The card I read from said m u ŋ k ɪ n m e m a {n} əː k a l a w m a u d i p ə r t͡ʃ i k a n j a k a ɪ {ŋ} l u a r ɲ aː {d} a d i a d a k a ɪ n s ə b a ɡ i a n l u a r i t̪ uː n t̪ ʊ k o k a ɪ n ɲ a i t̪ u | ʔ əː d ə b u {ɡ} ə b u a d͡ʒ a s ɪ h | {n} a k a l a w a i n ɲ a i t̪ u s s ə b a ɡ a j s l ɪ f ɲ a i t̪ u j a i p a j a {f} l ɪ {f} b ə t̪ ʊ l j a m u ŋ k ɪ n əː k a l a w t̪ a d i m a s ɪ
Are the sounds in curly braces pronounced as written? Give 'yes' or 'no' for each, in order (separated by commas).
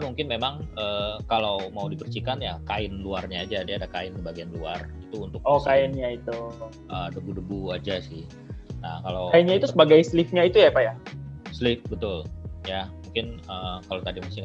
no, no, no, no, yes, no, yes